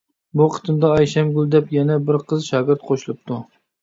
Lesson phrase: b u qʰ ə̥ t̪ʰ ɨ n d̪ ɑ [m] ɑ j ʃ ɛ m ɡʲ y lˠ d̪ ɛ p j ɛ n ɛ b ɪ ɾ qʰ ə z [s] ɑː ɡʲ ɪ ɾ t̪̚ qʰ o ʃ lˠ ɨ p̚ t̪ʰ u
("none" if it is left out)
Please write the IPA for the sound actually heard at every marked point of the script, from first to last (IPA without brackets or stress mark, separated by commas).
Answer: none, ʃ